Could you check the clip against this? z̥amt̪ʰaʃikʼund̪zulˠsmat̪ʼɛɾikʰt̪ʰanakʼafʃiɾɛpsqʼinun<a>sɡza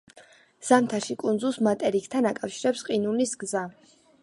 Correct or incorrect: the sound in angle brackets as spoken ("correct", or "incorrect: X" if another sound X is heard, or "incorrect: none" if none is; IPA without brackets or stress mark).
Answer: incorrect: i